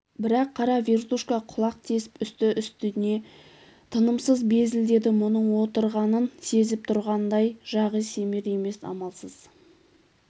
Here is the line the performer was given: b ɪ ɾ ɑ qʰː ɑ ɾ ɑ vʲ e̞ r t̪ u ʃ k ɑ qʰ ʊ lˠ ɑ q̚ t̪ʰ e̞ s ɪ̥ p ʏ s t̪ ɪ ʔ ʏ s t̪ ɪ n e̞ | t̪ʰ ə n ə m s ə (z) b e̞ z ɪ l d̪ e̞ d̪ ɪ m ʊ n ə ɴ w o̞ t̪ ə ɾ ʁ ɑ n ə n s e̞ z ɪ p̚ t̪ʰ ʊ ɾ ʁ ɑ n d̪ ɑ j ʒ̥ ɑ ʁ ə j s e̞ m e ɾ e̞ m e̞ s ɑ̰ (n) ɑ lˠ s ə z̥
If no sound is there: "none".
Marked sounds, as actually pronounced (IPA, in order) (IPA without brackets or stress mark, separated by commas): z, m